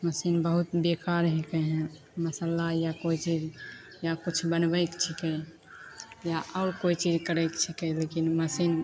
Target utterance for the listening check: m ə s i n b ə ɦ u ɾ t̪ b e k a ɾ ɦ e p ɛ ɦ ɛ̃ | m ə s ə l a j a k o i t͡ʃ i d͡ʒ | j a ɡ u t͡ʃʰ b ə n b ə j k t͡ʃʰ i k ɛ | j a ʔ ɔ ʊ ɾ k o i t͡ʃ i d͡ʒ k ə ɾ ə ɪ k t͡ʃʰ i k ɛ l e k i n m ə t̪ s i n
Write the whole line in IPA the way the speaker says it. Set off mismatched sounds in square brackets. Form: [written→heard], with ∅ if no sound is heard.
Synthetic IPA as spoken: m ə s i n b ə ɦ u [ɾ→∅] t̪ b e k a ɾ ɦ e [p→k] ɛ ɦ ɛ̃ | m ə s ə l a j a k o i t͡ʃ i d͡ʒ | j a [ɡ→k] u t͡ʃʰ b ə n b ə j k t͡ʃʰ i k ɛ | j a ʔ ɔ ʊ ɾ k o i t͡ʃ i d͡ʒ k ə ɾ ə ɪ k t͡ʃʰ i k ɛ l e k i n m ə [t̪→∅] s i n